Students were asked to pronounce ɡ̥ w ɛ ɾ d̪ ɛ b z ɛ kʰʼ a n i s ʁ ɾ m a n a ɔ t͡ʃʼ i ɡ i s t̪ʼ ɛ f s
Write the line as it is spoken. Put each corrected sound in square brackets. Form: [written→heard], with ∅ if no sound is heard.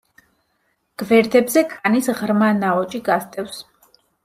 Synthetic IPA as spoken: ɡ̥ [w→v] ɛ ɾ d̪ ɛ b z ɛ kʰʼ a n i s ʁ ɾ m a n a ɔ t͡ʃʼ i ɡ [i→a] s t̪ʼ ɛ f s